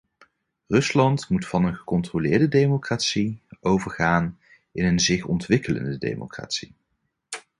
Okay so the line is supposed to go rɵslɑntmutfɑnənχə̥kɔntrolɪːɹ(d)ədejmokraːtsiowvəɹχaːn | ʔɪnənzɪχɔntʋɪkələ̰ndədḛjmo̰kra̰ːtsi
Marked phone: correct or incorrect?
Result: correct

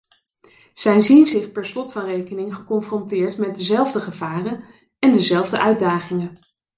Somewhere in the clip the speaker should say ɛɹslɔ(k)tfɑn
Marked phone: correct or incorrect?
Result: incorrect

